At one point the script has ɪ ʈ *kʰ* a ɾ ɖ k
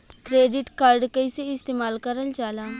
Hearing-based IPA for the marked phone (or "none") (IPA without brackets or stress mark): k